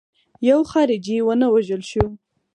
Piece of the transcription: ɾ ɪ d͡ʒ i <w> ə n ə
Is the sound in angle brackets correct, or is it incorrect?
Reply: correct